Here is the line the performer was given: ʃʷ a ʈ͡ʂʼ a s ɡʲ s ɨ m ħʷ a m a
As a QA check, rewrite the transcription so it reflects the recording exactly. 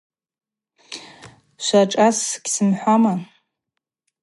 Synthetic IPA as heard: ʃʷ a ʈ͡ʂʼ a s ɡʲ s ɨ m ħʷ a m a